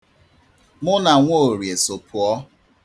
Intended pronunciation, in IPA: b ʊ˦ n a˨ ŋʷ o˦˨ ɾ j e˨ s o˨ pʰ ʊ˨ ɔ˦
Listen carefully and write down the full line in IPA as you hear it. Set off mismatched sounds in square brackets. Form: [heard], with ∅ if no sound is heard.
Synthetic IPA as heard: [m] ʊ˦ n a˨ ŋʷ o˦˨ ɾ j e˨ s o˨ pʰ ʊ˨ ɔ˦